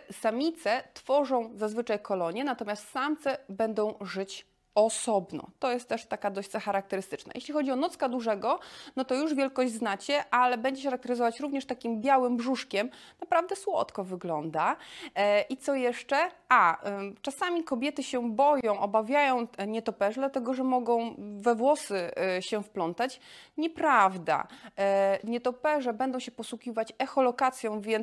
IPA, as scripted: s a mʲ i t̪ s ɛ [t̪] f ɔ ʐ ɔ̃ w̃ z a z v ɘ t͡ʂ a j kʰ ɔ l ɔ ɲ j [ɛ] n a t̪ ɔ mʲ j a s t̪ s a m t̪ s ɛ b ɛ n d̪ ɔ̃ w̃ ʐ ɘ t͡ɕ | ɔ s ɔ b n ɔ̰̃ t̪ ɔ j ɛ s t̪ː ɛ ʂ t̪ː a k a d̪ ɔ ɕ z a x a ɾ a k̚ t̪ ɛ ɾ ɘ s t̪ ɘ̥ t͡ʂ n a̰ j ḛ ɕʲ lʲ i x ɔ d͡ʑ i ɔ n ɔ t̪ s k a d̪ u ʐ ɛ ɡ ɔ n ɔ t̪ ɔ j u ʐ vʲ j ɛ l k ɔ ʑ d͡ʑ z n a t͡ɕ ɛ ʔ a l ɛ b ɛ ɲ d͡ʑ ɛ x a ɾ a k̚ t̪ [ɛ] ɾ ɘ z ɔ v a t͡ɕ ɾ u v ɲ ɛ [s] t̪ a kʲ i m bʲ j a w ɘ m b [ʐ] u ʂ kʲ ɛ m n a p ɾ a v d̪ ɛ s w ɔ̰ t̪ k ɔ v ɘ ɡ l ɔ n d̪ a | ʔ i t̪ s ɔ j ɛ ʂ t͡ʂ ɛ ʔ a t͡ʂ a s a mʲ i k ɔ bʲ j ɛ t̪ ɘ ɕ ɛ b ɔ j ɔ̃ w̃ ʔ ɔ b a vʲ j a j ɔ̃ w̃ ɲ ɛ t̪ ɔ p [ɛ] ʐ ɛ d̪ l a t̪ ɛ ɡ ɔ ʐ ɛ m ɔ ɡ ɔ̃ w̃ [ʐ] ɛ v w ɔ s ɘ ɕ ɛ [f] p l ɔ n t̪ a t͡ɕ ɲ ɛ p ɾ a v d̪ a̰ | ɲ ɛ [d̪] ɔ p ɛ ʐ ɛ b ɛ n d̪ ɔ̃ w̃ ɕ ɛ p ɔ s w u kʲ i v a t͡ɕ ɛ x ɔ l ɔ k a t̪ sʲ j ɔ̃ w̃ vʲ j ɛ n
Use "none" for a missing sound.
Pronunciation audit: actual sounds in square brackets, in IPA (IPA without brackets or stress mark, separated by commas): t̪, ɛ, ɛ, ʂ, ʐ, ɛ, v, f, t̪